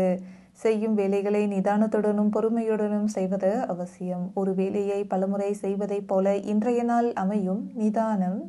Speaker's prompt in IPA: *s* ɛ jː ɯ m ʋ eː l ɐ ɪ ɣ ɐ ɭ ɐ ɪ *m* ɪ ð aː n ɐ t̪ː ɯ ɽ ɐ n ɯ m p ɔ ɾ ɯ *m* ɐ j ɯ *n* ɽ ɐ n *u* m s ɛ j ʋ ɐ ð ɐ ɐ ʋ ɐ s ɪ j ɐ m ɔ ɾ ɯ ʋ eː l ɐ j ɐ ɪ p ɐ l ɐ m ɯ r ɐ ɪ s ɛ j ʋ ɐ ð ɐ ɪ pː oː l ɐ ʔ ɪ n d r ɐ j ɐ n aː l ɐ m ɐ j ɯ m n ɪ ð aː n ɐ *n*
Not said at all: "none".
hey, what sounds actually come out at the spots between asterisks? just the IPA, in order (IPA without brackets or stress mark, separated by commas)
s, n, m, none, ɯ, m